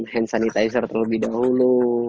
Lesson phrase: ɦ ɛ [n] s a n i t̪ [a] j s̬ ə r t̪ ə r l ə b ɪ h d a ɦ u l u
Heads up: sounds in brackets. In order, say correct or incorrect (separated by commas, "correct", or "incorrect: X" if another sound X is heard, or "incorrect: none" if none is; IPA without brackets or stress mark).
correct, correct